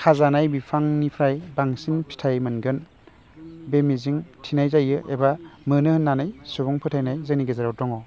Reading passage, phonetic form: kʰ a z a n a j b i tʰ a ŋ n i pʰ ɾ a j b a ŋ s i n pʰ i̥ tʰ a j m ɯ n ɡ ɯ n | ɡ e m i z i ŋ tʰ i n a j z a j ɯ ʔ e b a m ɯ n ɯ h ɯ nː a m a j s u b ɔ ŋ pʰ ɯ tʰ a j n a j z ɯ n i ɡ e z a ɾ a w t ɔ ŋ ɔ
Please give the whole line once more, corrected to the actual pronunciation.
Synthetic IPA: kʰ a z a n a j b i pʰ a ŋ n i pʰ ɾ a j b a ŋ s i n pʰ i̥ tʰ a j m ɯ n ɡ ɯ n | b e m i z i ŋ tʰ i n a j z a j ɯ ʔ e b a m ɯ n ɯ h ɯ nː a n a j s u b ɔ ŋ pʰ ɯ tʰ a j n a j z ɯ n i ɡ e z a ɾ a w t ɔ ŋ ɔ